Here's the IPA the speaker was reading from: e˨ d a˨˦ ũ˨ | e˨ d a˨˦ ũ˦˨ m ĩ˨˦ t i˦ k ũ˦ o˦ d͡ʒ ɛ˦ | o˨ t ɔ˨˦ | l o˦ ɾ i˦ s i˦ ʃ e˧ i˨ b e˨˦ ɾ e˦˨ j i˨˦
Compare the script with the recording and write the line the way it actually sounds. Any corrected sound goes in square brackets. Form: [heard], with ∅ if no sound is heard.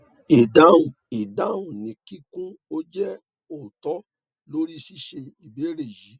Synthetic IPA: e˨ d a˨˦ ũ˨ | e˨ d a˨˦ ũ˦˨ [n] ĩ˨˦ [k] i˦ k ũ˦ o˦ d͡ʒ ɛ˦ | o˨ t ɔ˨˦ | l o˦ ɾ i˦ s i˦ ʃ e˧ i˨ b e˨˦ ɾ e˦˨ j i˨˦